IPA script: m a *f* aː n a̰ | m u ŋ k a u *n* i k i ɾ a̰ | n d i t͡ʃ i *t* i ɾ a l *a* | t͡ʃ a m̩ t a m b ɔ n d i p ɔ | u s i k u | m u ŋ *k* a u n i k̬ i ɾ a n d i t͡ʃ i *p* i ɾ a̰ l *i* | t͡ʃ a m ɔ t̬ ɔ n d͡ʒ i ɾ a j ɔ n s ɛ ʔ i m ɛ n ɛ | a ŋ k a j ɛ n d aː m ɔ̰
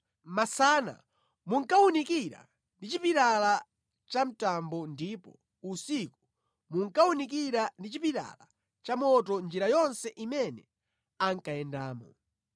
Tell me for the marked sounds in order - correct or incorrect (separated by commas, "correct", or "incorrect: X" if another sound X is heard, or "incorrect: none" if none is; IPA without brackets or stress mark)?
incorrect: s, correct, incorrect: p, correct, correct, correct, incorrect: a